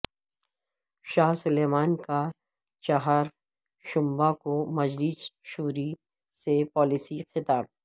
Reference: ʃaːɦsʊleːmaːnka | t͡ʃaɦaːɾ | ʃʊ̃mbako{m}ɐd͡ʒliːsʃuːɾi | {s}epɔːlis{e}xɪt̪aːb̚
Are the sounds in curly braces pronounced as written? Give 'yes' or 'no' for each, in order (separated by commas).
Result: yes, yes, no